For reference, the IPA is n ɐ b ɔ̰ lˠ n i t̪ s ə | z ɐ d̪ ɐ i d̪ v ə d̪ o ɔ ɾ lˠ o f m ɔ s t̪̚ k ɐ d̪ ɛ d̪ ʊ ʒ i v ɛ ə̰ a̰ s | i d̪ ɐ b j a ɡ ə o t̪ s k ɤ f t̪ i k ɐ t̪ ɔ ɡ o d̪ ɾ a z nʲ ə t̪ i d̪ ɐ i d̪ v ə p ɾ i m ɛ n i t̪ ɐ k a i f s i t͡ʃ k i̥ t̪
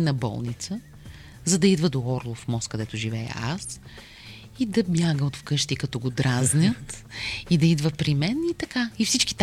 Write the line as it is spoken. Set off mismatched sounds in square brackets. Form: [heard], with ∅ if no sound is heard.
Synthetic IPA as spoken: n ɐ b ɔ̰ lˠ n i t̪ s ə | z ɐ d̪ ɐ i d̪ v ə d̪ o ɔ ɾ lˠ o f m ɔ s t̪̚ k ɐ d̪ ɛ [t̪] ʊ ʒ i v ɛ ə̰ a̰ s | i d̪ ɐ b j a ɡ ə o t̪ [f] k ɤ [ʃ] t̪ i k ɐ t̪ ɔ ɡ o d̪ ɾ a z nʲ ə t̪ i d̪ ɐ i d̪ v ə p ɾ i m ɛ n i t̪ ɐ k a i f s i t͡ʃ k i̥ t̪